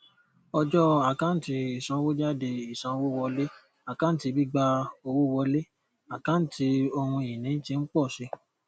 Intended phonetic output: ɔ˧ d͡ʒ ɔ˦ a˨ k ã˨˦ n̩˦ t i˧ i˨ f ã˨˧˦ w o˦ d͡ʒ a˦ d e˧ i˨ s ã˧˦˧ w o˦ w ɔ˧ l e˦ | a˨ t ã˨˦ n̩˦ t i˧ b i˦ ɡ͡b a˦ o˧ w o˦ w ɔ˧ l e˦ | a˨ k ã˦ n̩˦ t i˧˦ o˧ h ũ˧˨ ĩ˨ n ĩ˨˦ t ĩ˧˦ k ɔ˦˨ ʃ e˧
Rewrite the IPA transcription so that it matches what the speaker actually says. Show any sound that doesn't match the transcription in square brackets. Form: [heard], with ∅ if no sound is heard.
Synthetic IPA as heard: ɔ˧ d͡ʒ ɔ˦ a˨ k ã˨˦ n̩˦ t i˧ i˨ [s] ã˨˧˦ w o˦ d͡ʒ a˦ d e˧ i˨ s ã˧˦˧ w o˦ w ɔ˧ l e˦ | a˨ [k] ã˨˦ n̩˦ t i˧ b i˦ ɡ͡b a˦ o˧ w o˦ w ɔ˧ l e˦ | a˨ k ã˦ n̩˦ t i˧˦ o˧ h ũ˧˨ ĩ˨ n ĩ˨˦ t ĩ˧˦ [k͡p] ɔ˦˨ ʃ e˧